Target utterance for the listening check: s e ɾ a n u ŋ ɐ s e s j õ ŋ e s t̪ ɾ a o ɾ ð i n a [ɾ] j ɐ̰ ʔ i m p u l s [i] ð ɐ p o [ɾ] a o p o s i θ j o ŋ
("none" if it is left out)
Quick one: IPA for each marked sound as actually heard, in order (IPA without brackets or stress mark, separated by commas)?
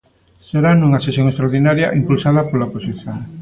ɾ, a, l